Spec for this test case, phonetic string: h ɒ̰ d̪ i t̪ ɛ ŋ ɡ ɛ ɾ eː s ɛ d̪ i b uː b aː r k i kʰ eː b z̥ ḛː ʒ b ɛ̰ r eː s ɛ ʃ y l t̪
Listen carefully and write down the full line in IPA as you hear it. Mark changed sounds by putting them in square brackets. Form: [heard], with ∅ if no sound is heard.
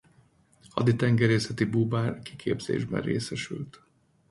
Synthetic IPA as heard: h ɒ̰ d̪ i t̪ ɛ ŋ ɡ ɛ ɾ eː s ɛ [t̪] i b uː b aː r k i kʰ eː b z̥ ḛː ʒ b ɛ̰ r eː s ɛ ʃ y l t̪